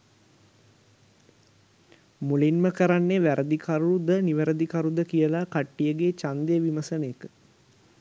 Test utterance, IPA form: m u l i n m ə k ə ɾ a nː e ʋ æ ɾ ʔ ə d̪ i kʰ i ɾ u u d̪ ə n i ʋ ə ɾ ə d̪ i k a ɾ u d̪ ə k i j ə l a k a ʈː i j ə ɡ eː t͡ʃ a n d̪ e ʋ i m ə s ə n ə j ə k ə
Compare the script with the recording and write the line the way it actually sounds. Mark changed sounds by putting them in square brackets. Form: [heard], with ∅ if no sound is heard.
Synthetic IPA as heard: m u l i n m ə k ə ɾ a nː e ʋ æ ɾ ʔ ə d̪ i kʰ [a] ɾ u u d̪ ə n i ʋ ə ɾ ə d̪ i k a ɾ u d̪ ə k i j ə l a k a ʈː i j ə ɡ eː t͡ʃ a n d̪ e ʋ i m ə s ə n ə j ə k ə